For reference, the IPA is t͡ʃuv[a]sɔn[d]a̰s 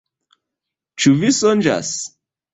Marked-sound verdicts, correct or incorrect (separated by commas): incorrect, incorrect